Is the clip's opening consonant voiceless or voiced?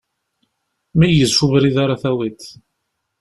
voiced